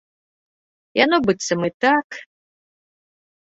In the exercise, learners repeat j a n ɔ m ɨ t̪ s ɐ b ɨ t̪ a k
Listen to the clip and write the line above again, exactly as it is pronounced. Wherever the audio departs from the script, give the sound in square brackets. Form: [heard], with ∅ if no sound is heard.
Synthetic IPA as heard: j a n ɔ [b] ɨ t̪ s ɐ [m] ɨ t̪ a k